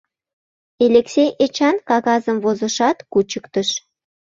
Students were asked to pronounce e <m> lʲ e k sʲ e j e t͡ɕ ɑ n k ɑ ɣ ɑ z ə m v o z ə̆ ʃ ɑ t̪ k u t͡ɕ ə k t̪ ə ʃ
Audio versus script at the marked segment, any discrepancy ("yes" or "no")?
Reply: yes